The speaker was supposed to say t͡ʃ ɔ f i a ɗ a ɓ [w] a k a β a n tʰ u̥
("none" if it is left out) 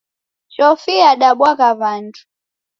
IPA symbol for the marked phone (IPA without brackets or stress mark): w